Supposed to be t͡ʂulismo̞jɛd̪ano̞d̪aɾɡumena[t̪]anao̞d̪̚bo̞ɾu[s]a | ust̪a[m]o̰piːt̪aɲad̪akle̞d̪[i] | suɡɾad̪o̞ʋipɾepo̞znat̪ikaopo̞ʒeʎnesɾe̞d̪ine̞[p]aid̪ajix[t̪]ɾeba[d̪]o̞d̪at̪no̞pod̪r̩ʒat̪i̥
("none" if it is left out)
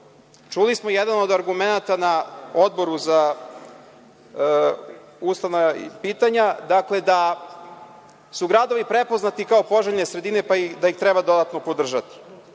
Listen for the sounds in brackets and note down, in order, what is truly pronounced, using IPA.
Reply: t̪, z, n, a, p, t̪, d̪

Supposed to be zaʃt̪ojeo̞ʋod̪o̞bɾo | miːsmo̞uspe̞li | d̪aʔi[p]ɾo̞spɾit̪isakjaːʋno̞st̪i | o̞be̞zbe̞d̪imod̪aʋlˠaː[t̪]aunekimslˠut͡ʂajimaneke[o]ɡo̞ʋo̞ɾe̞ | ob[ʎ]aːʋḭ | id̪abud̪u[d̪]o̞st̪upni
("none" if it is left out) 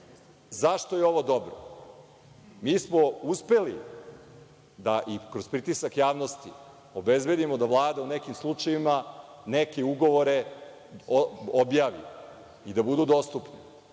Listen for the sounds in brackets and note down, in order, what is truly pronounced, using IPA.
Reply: k, d̪, u, j, d̪

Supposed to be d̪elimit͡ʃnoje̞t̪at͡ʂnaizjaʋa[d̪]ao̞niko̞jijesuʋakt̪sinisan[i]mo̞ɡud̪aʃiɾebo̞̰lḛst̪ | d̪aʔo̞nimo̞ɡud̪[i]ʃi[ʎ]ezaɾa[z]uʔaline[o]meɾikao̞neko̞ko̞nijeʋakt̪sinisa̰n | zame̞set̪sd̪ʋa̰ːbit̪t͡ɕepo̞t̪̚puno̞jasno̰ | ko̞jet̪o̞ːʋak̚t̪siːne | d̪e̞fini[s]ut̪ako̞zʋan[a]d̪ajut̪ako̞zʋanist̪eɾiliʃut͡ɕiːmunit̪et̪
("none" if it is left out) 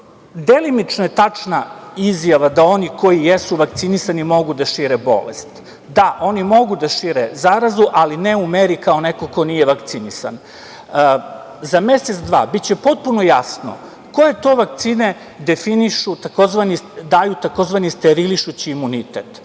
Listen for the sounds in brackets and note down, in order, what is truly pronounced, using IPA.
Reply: d̪, i, a, ɾ, z, u, ʃ, i

